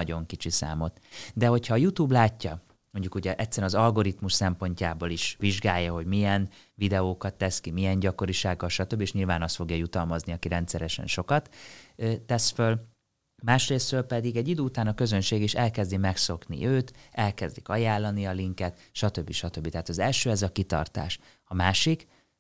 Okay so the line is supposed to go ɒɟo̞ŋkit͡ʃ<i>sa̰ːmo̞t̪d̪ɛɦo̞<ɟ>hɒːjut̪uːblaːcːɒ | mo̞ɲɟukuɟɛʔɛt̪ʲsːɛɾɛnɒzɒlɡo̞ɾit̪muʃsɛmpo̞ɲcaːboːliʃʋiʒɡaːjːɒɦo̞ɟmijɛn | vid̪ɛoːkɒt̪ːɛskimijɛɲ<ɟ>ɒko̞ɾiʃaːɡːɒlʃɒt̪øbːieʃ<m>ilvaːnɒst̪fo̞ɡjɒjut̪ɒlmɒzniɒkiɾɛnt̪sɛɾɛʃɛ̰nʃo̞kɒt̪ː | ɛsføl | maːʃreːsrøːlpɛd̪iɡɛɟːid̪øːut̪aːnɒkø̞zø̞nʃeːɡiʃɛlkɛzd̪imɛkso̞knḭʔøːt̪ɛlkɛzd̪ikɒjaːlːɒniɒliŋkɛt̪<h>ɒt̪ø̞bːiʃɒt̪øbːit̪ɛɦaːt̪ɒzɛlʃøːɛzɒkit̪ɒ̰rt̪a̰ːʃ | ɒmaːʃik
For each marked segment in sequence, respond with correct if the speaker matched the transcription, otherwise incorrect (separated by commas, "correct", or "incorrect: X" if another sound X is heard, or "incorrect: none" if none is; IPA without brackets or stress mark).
correct, incorrect: c, correct, incorrect: ɲ, incorrect: ʃ